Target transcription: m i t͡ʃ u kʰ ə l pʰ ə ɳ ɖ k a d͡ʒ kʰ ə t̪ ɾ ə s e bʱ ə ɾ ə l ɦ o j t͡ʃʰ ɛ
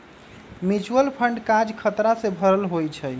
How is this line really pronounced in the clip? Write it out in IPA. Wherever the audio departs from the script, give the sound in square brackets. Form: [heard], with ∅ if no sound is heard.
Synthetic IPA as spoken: m i t͡ʃ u [∅] ə l pʰ ə ɳ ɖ k a d͡ʒ kʰ ə t̪ ɾ [a] s e bʱ ə ɾ ə l ɦ o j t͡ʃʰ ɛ